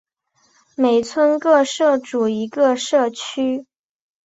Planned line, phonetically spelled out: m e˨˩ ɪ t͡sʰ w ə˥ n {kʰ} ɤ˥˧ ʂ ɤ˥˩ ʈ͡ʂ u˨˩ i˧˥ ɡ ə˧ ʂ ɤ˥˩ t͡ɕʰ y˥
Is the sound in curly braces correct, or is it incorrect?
incorrect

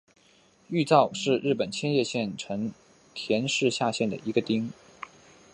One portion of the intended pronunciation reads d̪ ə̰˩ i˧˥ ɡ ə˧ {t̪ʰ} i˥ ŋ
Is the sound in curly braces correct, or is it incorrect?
incorrect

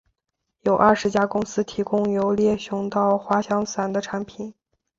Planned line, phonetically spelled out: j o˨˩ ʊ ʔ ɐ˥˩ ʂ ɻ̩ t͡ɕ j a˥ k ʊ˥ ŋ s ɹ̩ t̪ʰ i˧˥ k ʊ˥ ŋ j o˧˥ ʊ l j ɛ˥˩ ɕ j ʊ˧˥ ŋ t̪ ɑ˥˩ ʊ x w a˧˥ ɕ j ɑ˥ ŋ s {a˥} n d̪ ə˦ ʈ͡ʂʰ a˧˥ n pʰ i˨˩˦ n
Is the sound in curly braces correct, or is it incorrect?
incorrect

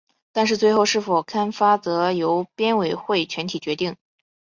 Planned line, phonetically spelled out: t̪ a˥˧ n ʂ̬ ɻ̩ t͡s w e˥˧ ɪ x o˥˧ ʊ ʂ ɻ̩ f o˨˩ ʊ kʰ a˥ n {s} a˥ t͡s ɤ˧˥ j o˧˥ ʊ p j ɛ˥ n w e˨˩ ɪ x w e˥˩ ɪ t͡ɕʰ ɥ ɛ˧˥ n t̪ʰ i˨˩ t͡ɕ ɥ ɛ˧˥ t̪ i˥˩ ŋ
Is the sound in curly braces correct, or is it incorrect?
incorrect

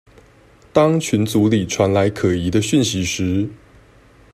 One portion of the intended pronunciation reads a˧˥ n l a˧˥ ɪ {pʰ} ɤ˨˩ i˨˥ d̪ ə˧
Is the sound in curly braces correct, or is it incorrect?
incorrect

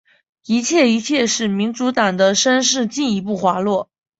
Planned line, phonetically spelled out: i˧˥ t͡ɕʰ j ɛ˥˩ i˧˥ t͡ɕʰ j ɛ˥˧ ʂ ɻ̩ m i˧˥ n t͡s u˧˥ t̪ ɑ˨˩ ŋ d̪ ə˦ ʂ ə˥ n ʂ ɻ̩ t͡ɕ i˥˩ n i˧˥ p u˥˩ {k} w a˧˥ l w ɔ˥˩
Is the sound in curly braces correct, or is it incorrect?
incorrect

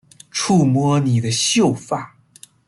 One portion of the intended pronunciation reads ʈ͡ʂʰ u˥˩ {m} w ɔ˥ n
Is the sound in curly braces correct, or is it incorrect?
correct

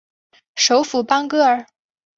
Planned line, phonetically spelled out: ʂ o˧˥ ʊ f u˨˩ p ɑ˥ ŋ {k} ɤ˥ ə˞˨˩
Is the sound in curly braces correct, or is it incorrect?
correct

